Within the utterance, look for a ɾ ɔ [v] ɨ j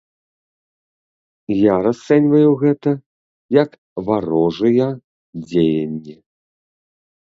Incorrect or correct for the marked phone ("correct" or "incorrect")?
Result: incorrect